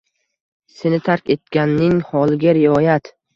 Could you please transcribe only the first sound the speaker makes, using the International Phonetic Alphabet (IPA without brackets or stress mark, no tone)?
s